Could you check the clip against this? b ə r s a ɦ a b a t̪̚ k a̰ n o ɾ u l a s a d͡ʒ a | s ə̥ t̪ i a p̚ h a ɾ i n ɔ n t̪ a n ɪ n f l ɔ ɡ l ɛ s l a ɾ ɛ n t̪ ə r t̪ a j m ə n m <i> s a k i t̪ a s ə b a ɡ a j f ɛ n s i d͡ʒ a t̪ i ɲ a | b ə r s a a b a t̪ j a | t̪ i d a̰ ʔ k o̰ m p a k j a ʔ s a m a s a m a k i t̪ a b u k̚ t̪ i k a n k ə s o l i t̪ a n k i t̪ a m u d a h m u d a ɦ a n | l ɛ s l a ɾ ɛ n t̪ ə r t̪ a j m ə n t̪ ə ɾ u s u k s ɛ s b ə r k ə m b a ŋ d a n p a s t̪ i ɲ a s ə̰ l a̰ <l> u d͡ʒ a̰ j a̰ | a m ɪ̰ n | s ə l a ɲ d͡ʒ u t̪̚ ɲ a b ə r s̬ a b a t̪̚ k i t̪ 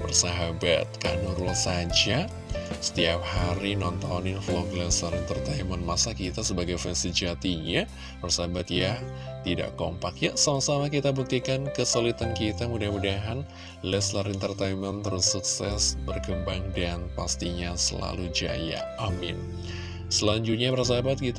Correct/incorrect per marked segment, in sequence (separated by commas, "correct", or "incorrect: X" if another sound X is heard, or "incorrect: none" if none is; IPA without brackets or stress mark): incorrect: a, correct